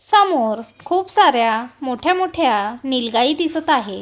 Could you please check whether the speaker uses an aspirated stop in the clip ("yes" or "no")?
yes